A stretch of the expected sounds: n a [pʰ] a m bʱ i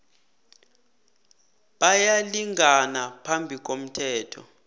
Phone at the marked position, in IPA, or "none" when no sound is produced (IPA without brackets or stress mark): pʰ